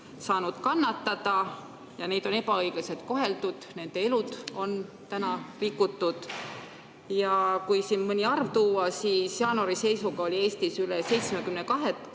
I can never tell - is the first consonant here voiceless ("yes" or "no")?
yes